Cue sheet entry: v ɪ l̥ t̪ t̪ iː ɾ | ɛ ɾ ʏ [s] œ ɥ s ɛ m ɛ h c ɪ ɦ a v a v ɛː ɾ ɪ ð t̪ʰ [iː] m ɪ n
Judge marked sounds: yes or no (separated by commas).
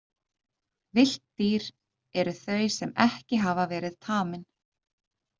no, no